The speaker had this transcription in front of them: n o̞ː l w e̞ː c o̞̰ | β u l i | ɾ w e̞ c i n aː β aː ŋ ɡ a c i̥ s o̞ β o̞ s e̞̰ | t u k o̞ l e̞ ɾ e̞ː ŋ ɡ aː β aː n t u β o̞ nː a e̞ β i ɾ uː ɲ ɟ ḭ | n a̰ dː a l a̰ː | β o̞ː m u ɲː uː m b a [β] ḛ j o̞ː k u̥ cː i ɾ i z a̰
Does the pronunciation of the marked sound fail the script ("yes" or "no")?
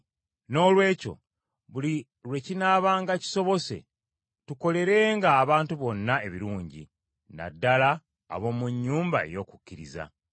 yes